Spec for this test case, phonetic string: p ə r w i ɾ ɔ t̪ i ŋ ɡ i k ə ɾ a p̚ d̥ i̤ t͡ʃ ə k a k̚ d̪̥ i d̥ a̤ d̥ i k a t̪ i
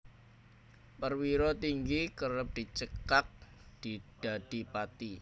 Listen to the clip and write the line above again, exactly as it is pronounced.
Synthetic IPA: p ə r w i ɾ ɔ t̪ i ŋ ɡ i k ə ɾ ə p̚ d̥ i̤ t͡ʃ ə k a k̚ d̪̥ i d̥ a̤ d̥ i p a t̪ i